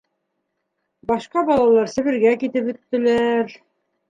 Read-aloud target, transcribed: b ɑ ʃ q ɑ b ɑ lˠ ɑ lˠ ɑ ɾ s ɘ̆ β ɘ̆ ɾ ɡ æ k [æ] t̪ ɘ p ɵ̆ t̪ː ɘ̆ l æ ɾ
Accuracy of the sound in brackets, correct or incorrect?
incorrect